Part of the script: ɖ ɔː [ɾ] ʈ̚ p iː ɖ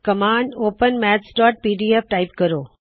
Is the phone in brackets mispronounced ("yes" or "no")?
yes